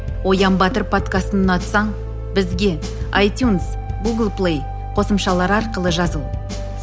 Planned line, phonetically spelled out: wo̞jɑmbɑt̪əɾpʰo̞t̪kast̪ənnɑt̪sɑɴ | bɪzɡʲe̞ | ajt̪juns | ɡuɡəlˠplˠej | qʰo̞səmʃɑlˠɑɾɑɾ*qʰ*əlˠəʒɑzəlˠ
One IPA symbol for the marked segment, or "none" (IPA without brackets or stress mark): q